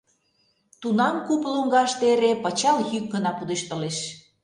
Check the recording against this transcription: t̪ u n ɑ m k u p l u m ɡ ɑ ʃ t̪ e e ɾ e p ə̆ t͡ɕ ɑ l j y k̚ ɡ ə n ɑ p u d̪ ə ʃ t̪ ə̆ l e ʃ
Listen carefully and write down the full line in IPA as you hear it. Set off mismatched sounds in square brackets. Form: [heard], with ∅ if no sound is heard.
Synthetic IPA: t̪ u n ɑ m k u p l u [ŋ] ɡ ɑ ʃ t̪ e e ɾ e p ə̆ t͡ɕ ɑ l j y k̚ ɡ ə n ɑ p u d̪ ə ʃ t̪ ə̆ l e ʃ